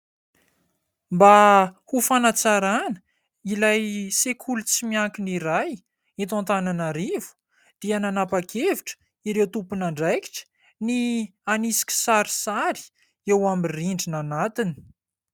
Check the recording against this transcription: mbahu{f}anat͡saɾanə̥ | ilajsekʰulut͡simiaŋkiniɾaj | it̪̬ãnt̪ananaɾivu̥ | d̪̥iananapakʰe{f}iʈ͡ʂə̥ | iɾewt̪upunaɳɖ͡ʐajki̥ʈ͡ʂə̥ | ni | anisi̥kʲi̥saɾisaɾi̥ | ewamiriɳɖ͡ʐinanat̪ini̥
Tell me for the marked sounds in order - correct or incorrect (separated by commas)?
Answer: correct, incorrect